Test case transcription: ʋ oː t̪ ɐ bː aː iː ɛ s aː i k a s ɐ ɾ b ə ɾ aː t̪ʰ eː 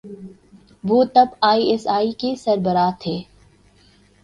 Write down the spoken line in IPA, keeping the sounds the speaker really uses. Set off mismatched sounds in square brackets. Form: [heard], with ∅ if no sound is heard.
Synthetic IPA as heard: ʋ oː t̪ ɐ [b] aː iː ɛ s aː i k [e] s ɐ ɾ b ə ɾ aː t̪ʰ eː